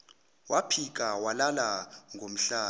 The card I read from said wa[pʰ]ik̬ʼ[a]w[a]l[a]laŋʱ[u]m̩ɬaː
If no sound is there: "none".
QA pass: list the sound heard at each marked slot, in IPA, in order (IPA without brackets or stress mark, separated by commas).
pʰ, a, a, a, o